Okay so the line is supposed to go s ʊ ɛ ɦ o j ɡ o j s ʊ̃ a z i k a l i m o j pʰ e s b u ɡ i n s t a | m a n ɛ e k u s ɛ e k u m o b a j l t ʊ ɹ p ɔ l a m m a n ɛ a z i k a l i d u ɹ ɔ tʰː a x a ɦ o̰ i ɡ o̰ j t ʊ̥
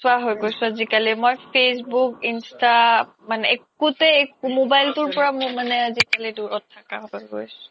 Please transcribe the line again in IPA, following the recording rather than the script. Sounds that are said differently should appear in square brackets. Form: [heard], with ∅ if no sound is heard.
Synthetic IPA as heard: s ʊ [a] ɦ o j ɡ o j s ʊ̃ a z i k a l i m o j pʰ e s b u [k] i n s t a | m a n ɛ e k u [t] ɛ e k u m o b a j l t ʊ ɹ p ɔ [ɹ] a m m a n ɛ a z i k a l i d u ɹ ɔ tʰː a [k] a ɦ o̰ [j] ɡ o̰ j [s] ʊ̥